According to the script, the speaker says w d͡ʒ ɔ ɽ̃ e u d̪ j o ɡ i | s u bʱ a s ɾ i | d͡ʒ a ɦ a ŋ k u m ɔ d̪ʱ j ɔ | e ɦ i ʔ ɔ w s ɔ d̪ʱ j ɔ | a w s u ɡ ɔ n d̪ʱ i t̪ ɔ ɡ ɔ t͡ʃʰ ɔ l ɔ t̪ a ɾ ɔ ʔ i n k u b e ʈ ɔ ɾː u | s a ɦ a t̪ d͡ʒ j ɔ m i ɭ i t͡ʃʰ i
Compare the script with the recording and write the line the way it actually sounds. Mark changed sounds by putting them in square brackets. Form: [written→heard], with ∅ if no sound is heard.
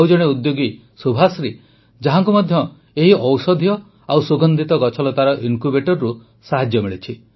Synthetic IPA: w d͡ʒ ɔ ɽ̃ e u d̪ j o ɡ i | s u bʱ a s ɾ i | d͡ʒ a ɦ a ŋ k u m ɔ d̪ʱ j ɔ | e ɦ i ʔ ɔ w s ɔ d̪ʱ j ɔ | a w s u ɡ ɔ n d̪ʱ i t̪ ɔ ɡ ɔ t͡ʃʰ ɔ l ɔ t̪ a ɾ ɔ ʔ i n k u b e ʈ ɔ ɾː u | s a ɦ a [t̪→∅] d͡ʒ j ɔ m i ɭ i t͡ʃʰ i